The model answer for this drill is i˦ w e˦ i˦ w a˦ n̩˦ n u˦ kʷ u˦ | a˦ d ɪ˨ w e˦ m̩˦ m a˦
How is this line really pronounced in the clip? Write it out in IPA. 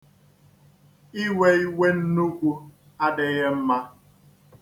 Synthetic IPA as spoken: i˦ w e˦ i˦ w e˦ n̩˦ n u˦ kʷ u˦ | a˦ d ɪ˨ ɣ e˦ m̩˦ m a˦